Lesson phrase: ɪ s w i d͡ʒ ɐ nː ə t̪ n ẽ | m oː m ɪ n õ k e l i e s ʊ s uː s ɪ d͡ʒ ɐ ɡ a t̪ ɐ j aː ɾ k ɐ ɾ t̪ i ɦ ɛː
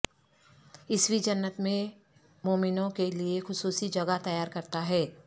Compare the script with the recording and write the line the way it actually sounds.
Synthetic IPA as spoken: ɪ s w i d͡ʒ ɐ nː ə t̪ m ẽ | m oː m ɪ n õ k e l i e x ʊ s uː s i d͡ʒ ɐ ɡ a t̪ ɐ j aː ɾ k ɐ ɾ t̪ a ɦ ɛː